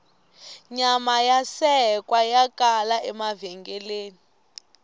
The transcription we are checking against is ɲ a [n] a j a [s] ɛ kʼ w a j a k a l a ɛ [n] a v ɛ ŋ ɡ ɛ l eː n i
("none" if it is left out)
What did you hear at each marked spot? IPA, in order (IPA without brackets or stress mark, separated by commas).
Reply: m, s, m